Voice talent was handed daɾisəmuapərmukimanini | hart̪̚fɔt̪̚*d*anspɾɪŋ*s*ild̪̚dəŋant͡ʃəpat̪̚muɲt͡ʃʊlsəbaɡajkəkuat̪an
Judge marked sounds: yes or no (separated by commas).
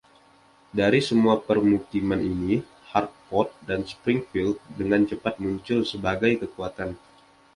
yes, no